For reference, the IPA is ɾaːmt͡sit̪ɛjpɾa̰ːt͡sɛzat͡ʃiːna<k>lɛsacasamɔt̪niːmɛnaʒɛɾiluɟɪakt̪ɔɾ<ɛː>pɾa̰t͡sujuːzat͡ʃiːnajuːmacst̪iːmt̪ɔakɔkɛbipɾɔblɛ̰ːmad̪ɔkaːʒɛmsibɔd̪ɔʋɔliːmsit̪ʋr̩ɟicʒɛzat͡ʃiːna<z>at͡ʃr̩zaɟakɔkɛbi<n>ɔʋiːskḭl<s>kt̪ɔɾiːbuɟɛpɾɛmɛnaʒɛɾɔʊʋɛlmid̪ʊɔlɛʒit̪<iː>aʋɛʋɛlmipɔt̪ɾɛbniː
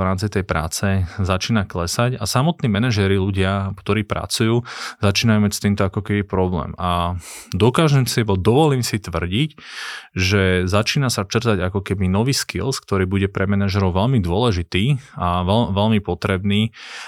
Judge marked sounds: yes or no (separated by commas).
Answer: yes, no, no, yes, yes, yes